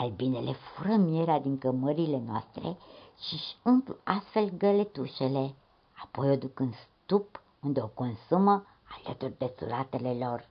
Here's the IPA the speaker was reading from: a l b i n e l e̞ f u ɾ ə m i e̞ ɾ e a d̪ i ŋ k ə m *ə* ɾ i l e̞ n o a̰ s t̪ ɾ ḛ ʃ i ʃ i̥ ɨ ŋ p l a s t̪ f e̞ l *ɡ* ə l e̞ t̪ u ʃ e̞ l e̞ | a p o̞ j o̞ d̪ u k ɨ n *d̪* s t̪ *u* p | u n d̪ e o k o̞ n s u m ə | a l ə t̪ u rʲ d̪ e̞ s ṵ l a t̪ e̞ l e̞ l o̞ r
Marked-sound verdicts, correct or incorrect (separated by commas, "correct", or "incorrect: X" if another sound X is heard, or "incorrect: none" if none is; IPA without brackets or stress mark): correct, correct, correct, correct